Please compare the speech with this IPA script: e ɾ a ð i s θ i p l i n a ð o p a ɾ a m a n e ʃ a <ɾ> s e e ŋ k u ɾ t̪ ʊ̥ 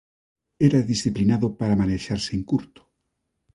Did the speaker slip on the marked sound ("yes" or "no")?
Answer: no